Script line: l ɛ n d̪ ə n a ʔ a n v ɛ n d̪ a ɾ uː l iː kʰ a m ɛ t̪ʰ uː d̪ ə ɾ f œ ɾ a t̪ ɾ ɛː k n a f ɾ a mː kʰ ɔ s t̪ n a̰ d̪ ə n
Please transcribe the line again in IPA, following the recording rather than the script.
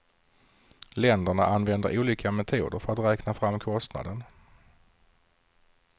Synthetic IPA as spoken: l ɛ n d̪ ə ɳ a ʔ a n v ɛ n d̪ ə ɾ uː l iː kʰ a m ɛ t̪ʰ uː d̪ ə ɾ f œ ɾ a t̪ ɾ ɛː k n a f ɾ a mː kʰ ɔ s t̪ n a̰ d̪ ə n